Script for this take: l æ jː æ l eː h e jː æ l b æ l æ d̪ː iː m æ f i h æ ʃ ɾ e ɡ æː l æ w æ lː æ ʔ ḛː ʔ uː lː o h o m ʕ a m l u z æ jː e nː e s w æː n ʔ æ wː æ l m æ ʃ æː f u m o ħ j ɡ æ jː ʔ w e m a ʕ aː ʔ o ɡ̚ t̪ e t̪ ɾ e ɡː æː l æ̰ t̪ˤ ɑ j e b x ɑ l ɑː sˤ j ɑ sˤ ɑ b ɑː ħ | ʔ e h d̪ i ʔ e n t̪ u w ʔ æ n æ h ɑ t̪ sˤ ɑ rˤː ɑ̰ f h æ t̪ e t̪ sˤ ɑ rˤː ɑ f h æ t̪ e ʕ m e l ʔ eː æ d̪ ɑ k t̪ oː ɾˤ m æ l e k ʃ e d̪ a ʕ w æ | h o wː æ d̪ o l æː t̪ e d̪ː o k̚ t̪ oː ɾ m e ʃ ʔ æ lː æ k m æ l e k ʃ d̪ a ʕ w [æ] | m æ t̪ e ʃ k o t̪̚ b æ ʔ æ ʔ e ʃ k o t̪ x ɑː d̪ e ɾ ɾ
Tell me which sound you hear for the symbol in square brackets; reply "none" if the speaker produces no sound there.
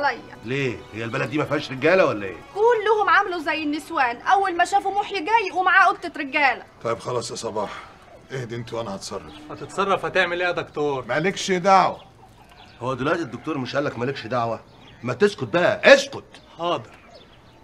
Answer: æ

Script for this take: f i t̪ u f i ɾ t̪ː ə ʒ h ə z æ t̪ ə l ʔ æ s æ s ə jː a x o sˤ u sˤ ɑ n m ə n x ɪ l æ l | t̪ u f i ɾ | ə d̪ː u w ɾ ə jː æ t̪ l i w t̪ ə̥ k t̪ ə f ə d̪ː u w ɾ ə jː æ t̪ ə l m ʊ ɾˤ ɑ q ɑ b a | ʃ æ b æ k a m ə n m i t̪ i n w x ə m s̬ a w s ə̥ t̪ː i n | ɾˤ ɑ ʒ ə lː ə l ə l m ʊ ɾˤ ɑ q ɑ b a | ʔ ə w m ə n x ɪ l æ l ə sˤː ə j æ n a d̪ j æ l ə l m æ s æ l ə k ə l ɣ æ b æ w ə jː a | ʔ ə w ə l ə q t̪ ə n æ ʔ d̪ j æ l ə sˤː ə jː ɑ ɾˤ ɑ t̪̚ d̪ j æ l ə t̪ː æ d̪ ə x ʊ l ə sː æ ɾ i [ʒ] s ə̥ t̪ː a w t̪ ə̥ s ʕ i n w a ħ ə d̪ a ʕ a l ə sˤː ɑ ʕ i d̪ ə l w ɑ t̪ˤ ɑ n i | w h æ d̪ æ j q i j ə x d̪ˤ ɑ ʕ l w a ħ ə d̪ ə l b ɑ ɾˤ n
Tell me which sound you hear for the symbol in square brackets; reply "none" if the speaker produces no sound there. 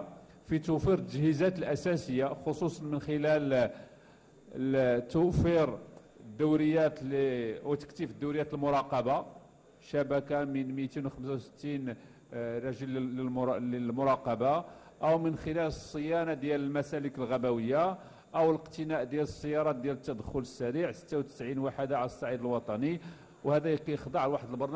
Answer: ʕ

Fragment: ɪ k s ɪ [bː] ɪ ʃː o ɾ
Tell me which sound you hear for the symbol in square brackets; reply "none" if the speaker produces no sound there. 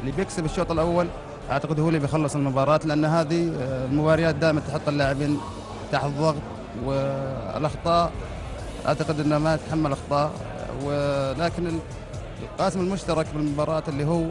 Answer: b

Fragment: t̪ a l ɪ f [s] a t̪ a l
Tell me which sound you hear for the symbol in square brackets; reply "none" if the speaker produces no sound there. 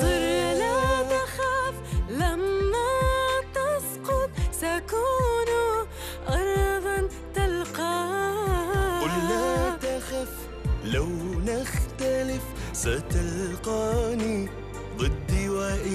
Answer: s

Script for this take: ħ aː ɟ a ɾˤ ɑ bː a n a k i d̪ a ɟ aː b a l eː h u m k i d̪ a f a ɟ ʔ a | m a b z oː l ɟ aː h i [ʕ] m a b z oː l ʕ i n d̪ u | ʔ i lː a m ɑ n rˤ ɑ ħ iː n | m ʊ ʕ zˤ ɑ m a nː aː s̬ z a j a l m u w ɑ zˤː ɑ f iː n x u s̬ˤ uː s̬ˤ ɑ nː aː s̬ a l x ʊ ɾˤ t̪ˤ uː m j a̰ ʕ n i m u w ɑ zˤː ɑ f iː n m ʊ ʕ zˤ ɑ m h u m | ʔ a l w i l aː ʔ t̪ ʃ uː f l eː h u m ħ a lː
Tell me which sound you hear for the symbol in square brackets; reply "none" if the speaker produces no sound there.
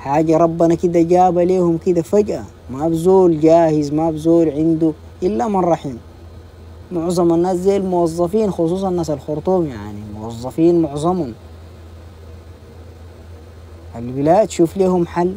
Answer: z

